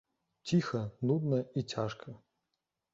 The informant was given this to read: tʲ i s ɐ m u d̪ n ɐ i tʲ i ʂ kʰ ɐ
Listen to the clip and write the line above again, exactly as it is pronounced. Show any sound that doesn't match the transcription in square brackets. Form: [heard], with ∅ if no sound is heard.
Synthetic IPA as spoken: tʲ i [x] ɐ [n] u d̪ n ɐ i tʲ [a] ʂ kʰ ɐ